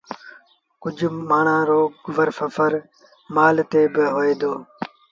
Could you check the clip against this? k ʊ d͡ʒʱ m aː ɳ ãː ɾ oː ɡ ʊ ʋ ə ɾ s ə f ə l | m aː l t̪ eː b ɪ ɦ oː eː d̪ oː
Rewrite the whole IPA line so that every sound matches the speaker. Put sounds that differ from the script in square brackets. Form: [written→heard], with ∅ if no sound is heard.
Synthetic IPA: k ʊ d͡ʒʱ m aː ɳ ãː ɾ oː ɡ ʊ ʋ ə ɾ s ə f ə [l→ɾ] | m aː l t̪ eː b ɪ ɦ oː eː d̪ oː